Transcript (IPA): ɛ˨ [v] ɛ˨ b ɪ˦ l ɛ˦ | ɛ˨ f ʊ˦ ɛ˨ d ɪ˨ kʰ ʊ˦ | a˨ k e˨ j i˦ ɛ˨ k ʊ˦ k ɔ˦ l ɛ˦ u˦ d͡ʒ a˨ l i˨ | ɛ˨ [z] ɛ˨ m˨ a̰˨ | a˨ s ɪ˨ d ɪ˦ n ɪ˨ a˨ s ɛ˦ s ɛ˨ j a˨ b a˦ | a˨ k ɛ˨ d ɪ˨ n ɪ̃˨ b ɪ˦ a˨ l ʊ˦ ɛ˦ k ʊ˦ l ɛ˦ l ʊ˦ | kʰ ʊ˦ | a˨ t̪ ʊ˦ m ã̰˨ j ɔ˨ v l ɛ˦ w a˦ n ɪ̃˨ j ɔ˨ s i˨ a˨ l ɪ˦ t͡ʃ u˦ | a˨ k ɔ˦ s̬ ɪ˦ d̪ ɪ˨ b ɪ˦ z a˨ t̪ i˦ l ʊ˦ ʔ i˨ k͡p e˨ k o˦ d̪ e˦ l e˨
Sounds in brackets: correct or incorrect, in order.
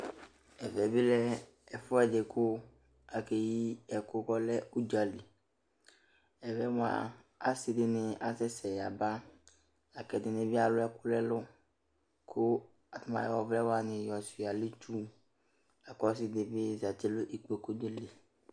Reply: correct, incorrect

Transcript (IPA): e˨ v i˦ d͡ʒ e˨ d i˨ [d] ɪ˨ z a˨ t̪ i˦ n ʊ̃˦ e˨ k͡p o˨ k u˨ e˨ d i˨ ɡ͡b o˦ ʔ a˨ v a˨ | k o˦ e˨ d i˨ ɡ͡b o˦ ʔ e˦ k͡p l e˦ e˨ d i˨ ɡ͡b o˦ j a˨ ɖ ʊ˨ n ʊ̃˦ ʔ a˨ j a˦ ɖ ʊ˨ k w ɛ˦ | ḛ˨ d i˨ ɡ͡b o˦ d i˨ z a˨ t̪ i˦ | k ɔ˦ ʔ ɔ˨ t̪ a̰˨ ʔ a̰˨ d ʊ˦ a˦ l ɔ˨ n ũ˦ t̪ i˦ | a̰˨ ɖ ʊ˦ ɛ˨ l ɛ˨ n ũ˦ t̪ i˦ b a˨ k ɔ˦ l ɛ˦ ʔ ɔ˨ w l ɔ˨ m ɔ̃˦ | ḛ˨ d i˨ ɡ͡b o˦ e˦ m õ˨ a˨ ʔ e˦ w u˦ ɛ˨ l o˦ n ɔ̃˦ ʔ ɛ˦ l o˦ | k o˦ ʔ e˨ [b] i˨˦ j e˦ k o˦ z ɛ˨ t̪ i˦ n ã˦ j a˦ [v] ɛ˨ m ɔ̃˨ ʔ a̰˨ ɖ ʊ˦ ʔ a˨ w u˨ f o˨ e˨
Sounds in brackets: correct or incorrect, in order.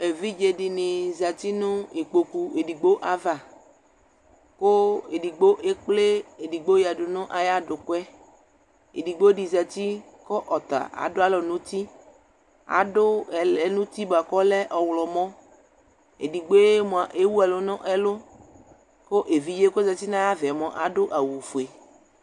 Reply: incorrect, incorrect, correct

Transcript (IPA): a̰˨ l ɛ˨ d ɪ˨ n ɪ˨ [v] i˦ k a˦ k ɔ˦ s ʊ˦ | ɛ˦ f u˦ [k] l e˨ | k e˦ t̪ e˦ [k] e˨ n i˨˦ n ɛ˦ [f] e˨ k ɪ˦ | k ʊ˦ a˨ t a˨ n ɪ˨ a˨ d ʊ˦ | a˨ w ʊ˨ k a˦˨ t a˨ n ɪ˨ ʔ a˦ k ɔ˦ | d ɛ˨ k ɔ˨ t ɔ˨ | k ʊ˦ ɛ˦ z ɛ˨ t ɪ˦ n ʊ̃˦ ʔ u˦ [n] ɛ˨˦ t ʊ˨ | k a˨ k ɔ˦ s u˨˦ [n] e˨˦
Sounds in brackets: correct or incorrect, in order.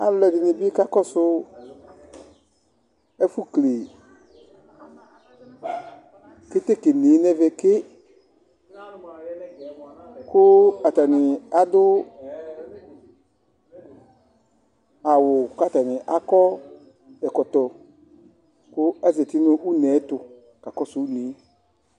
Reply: incorrect, correct, correct, incorrect, correct, correct

